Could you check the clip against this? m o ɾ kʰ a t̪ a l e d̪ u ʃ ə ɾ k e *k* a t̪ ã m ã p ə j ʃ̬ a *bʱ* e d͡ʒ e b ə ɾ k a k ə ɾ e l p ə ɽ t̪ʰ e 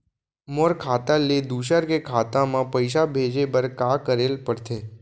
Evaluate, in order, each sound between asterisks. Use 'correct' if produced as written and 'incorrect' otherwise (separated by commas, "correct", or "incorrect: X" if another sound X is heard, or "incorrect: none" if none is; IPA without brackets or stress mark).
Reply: incorrect: kʰ, correct